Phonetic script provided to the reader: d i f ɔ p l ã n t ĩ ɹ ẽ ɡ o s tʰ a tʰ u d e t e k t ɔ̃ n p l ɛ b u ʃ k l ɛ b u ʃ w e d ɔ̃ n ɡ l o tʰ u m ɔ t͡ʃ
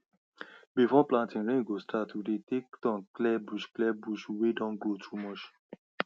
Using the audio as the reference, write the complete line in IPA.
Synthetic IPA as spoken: b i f ɔ p l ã n t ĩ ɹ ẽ ɡ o s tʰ a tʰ u d e t e k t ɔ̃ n k l ɛ b u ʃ k l ɛ b u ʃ w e d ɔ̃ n ɡ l o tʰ u m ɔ t͡ʃ